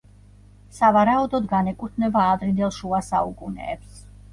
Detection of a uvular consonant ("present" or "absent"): absent